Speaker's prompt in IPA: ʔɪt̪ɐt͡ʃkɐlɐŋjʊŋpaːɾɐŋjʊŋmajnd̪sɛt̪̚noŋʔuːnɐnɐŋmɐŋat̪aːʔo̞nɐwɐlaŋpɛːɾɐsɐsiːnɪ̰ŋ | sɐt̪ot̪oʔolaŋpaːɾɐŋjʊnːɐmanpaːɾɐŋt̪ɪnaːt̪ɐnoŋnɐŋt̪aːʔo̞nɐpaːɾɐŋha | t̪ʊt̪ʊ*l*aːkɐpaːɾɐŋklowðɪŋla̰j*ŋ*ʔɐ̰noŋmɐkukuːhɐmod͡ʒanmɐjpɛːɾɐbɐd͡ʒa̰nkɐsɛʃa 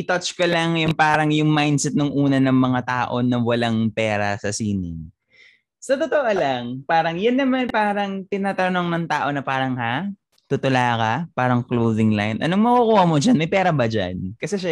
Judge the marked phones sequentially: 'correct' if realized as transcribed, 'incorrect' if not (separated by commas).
correct, incorrect